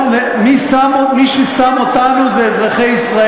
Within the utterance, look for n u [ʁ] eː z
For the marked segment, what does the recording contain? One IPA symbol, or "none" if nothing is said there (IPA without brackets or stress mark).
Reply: z